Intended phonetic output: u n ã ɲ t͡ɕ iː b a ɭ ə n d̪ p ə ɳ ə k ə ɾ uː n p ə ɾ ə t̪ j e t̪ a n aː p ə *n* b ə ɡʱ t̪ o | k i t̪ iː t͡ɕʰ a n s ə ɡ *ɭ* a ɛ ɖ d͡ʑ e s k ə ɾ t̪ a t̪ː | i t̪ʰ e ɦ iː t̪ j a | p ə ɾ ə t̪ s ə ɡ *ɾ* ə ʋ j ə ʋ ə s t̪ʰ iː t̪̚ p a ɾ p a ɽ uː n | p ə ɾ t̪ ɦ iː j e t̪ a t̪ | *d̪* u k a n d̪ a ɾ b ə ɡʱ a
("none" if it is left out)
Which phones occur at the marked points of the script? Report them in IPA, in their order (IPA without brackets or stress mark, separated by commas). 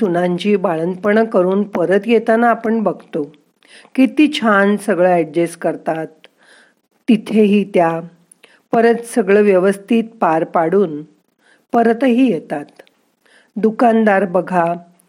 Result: ɳ, ɭ, ɭ, d̪